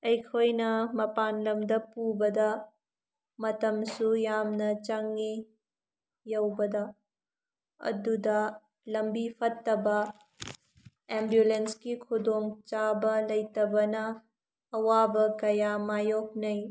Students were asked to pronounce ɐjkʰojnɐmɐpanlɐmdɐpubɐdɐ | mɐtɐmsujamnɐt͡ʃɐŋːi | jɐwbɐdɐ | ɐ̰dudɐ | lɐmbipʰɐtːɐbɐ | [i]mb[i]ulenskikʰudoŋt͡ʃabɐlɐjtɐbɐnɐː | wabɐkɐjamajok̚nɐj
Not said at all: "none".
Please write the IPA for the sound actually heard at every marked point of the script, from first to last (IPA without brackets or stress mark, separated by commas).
e, j